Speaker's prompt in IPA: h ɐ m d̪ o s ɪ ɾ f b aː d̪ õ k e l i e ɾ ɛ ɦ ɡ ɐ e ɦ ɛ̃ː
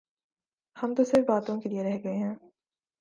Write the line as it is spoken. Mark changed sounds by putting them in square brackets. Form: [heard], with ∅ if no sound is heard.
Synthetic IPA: h ɐ m [t̪] o s ɪ ɾ f b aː [t̪] õ k e l i e ɾ ɛ ɦ ɡ ɐ e ɦ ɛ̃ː